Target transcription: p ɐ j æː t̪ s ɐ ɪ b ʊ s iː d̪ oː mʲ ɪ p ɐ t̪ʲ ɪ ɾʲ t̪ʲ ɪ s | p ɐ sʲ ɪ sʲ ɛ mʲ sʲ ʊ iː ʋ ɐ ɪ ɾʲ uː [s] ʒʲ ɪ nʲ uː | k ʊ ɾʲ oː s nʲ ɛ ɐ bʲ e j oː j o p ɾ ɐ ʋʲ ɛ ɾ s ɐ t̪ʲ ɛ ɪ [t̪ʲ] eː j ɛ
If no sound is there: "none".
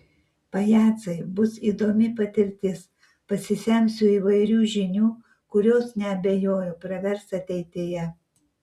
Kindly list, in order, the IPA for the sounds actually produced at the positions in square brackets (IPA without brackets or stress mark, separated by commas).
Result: none, t̪ʲ